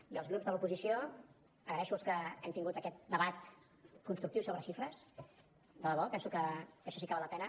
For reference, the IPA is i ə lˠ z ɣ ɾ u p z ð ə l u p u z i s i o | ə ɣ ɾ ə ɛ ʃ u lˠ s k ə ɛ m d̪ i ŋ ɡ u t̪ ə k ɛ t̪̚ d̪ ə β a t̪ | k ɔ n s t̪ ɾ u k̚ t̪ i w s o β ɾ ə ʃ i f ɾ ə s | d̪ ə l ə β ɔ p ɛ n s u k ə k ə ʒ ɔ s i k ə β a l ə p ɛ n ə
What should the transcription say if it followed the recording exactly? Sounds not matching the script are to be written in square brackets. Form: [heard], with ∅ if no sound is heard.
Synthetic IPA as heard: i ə lˠ z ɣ ɾ u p z ð ə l u p u z i s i o | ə ɣ ɾ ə ɛ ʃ u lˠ s k ə ɛ m [t̪] i ŋ ɡ u t̪ ə k ɛ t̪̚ d̪ ə β a t̪ | k [u] n s t̪ ɾ u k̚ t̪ i w s o β ɾ ə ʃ i f ɾ ə s | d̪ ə l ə β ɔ p ɛ n s u k ə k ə [ʃ] ɔ s i k ə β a l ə p ɛ n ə